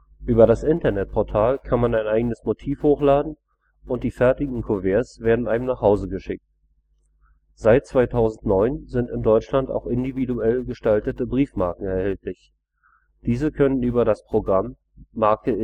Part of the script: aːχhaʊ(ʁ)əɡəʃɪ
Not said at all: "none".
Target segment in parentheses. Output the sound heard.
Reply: z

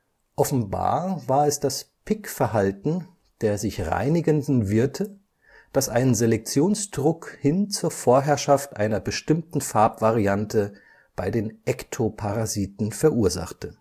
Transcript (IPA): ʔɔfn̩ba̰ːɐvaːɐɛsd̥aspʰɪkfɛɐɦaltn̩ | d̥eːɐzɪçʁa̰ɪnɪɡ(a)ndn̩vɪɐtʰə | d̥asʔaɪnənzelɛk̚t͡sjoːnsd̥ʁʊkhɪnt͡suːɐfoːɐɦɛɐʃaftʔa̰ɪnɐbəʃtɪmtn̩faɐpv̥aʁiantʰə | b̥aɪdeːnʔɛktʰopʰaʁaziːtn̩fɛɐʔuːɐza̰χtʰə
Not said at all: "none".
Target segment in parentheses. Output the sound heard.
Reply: ə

